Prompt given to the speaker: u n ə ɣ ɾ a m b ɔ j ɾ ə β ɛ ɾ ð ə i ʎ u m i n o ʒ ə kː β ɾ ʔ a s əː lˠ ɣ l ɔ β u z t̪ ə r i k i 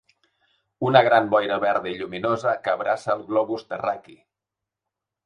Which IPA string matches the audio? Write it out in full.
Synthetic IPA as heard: u n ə ɣ ɾ a m b ɔ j ɾ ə β ɛ ɾ ð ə i ʎ u m i n o z ə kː β ɾ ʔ a s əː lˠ ɣ l ɔ β u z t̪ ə r a k i